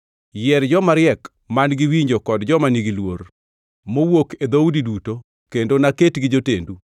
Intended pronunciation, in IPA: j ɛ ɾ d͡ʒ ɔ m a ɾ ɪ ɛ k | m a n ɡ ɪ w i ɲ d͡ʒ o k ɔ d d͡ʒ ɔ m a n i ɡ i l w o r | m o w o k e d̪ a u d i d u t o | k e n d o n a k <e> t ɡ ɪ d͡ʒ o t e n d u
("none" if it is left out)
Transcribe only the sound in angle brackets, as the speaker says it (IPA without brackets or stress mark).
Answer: e